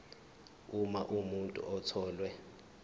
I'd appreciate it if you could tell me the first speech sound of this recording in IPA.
u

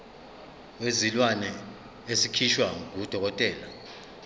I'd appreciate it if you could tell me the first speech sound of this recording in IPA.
w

